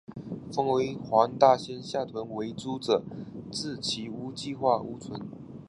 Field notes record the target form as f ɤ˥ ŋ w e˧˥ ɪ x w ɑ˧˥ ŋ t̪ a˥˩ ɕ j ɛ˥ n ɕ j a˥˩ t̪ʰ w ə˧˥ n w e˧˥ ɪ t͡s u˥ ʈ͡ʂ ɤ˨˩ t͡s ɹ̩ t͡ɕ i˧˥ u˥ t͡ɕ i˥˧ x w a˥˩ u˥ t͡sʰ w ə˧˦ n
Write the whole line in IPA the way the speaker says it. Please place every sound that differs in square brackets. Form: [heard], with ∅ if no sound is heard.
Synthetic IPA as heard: f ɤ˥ ŋ w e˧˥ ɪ x w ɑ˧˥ ŋ t̪ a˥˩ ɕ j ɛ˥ n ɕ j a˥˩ t̪ʰ w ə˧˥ n w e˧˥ ɪ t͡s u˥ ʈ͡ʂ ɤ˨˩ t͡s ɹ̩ [t͡ɕʰ] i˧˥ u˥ t͡ɕ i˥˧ x w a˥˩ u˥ t͡sʰ w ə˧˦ n